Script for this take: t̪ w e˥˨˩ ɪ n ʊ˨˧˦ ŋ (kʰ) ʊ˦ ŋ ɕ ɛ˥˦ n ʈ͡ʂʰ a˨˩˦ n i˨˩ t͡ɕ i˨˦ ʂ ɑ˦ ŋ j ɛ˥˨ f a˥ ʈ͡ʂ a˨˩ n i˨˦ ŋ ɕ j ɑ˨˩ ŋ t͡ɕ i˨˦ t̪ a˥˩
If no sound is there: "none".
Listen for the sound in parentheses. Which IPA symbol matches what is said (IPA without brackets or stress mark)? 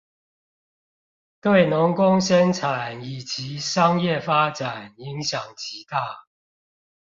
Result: k